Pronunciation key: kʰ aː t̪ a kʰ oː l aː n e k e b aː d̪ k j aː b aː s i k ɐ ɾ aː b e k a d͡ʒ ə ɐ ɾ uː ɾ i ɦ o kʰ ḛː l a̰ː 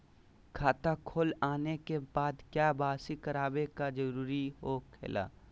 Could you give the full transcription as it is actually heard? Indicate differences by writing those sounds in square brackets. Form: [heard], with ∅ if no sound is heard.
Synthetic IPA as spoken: kʰ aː t̪ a kʰ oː l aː n e k e b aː d̪ k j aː b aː s i k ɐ ɾ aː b e k a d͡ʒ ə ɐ ɾ uː ɾ i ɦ o kʰ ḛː l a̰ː